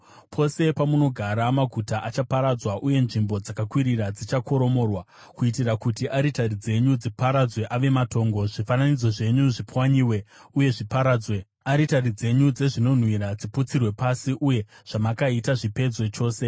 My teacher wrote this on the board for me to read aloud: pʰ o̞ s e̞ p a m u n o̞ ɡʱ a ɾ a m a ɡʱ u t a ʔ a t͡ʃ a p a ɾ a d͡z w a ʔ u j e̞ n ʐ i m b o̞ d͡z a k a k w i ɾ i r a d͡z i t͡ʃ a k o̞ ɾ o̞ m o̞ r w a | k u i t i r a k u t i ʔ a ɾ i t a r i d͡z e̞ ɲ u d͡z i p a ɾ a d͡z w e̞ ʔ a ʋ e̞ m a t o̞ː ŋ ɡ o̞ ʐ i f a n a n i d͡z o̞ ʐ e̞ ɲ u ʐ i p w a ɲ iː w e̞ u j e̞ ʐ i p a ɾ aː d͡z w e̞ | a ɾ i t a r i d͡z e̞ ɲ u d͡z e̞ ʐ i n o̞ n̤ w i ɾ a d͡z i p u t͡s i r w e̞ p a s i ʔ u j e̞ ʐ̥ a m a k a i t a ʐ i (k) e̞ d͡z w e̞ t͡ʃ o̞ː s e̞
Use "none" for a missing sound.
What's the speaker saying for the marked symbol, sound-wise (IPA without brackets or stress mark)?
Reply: p